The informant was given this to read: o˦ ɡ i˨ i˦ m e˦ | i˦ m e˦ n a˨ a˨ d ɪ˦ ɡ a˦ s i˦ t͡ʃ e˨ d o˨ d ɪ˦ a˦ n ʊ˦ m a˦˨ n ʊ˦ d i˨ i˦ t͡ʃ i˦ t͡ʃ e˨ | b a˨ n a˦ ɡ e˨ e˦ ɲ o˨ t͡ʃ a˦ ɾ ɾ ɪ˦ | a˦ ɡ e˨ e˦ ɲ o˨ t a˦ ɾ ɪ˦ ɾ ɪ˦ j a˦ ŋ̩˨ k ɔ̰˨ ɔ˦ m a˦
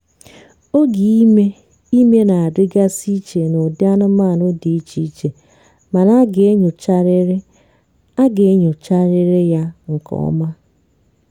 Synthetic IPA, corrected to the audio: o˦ ɡ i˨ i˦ m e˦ | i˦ m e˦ n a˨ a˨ d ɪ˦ ɡ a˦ s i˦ t͡ʃ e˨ n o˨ d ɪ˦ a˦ n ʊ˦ m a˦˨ n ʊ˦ d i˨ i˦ t͡ʃ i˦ t͡ʃ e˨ | m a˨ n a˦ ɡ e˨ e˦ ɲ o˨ t͡ʃ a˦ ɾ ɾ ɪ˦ | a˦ ɡ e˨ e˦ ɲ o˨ t͡ʃ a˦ ɾ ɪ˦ ɾ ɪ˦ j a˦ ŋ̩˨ k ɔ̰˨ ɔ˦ m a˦